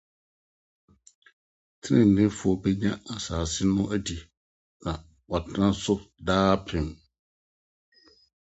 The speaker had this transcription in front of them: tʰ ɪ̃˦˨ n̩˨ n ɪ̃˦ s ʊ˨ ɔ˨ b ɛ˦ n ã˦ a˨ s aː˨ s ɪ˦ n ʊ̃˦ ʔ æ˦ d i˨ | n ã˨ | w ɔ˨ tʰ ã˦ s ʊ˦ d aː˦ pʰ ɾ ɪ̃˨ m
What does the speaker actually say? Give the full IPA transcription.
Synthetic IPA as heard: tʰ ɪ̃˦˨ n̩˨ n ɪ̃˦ f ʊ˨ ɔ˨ b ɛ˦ ɲ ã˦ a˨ s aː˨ s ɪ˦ n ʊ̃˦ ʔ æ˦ d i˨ | n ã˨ | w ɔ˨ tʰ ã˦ s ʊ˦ d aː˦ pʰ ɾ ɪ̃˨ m